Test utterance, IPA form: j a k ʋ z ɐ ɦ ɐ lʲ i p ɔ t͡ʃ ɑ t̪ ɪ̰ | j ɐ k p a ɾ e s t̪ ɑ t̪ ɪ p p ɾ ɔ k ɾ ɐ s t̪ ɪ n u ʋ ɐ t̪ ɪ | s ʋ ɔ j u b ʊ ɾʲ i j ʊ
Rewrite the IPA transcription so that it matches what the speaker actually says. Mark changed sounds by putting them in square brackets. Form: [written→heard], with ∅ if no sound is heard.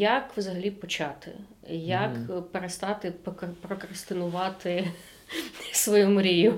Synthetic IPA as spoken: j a k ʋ z ɐ ɦ ɐ lʲ i p ɔ t͡ʃ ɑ t̪ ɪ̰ | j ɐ k p [a→e] ɾ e s t̪ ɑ t̪ ɪ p p ɾ ɔ k ɾ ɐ s t̪ ɪ n [u→ʊ] ʋ [ɐ→ɑ] t̪ ɪ | s ʋ ɔ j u [b→m] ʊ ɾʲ i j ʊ